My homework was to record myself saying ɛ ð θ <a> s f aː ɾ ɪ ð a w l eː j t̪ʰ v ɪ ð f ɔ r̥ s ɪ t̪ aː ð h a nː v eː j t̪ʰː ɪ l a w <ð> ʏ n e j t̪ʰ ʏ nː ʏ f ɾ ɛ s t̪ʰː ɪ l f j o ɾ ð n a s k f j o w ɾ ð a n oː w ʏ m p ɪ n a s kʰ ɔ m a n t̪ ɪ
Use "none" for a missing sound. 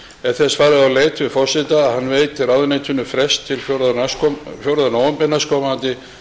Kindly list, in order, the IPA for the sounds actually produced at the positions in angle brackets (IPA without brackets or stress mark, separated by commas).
ɛ, ð